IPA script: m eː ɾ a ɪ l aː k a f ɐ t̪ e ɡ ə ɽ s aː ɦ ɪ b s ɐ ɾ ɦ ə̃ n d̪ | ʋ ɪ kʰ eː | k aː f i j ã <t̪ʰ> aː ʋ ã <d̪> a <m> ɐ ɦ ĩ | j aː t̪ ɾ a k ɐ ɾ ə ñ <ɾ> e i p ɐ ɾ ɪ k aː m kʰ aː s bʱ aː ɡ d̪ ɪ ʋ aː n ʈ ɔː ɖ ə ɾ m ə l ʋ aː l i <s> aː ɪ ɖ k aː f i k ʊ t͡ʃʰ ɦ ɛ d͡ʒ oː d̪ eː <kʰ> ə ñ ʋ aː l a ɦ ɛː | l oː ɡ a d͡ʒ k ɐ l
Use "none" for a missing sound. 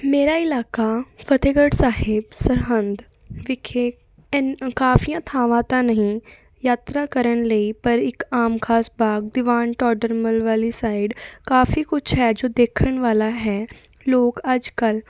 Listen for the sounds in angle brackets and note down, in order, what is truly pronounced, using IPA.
t̪ʰ, t̪, n, l, s, kʰ

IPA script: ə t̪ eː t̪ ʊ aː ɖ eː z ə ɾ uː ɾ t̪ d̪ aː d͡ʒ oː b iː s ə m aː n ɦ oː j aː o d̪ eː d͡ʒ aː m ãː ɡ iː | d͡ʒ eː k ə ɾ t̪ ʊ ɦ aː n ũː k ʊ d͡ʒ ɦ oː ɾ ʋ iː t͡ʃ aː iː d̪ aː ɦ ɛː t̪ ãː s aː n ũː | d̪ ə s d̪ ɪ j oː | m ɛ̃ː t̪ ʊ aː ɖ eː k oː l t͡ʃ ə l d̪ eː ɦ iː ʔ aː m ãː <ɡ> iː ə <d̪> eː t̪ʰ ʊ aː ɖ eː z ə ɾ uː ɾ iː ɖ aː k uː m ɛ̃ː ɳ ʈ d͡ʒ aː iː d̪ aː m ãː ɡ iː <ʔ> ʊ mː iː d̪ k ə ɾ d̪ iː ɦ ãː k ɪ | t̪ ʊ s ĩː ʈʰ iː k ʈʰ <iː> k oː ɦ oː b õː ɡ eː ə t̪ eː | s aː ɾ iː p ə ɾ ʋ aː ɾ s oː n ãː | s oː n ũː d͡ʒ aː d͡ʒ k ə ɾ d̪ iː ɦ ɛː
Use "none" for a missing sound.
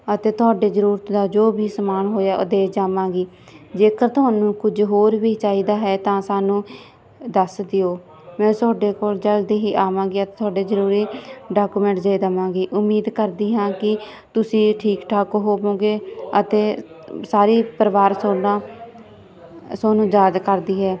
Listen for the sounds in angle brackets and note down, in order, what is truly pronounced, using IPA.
ɡ, t̪, ʔ, aː

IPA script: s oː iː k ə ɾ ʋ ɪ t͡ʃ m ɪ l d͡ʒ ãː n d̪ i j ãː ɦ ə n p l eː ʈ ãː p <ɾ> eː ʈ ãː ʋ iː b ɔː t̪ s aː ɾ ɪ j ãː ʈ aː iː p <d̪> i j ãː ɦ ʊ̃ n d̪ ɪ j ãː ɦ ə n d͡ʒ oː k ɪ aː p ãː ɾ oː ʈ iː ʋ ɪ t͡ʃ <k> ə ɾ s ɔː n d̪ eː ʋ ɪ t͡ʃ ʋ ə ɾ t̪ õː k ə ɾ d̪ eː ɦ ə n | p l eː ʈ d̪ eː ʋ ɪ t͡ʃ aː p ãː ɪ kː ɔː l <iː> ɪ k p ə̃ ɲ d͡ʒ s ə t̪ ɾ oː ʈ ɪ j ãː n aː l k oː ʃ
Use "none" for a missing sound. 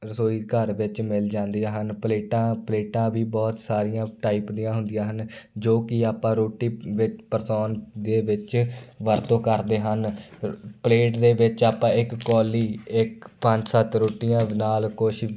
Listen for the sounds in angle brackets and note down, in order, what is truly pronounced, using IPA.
l, d̪, p, iː

